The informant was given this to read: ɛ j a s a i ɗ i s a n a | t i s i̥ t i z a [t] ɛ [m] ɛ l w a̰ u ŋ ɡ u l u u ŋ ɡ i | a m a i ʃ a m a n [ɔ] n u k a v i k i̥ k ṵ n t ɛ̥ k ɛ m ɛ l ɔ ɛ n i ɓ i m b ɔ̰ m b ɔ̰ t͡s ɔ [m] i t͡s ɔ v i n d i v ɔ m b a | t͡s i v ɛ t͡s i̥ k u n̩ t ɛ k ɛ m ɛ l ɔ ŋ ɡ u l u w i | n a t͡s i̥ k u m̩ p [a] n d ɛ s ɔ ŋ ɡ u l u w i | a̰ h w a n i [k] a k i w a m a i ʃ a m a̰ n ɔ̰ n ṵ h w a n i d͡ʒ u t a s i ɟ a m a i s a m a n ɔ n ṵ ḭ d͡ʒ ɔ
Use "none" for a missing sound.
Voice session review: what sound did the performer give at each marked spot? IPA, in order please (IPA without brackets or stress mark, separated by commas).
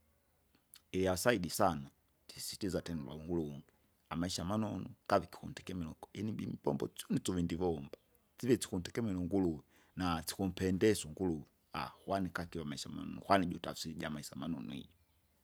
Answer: t, n, ɔ, n, ɛ, k